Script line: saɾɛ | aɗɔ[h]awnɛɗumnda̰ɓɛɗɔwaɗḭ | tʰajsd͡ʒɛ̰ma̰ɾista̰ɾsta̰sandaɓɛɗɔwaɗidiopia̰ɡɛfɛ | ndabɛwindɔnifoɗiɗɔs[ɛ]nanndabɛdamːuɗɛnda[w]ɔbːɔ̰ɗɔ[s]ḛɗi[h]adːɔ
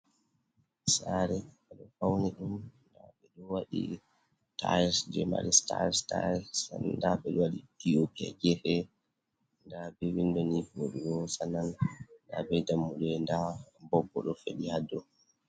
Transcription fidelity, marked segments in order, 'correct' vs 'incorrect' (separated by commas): incorrect, incorrect, incorrect, incorrect, correct